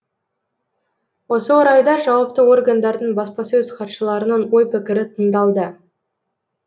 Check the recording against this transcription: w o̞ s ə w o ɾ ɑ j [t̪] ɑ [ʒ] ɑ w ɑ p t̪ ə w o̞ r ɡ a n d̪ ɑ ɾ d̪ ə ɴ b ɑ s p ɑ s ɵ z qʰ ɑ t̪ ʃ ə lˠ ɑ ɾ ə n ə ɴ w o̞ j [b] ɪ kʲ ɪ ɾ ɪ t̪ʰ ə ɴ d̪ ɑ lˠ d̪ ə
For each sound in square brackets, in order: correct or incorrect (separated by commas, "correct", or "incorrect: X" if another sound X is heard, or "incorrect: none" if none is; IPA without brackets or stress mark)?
incorrect: d̪, correct, incorrect: p